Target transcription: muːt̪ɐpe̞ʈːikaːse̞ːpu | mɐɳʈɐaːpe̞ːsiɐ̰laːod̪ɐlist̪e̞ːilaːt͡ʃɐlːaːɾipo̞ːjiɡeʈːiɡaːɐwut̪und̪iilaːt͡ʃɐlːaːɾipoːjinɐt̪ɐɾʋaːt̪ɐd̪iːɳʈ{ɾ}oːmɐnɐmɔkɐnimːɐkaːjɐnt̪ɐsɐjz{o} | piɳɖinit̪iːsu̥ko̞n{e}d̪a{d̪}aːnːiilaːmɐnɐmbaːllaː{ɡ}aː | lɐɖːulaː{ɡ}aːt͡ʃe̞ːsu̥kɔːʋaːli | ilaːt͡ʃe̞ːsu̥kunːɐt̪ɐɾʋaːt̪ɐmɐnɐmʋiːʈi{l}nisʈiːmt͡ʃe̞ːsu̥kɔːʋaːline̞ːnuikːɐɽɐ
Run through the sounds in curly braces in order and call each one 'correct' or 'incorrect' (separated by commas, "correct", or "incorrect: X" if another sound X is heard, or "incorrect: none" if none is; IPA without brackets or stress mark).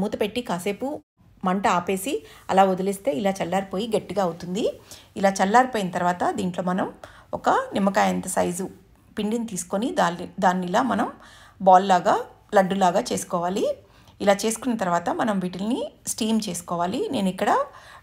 incorrect: l, incorrect: u, incorrect: i, correct, correct, correct, correct